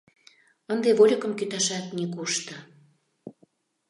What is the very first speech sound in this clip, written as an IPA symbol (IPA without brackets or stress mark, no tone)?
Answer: ə